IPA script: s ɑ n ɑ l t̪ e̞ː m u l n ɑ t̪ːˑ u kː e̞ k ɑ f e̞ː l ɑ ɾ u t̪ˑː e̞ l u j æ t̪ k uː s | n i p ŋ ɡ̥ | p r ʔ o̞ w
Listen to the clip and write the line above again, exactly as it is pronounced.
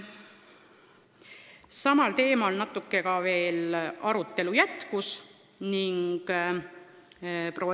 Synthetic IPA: s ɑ m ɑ l t̪ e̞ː m o l n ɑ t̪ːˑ u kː e̞ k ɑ v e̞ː l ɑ ɾ u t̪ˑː e̞ l u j æ t̪ k u s | n i ŋ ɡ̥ | p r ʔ o̞ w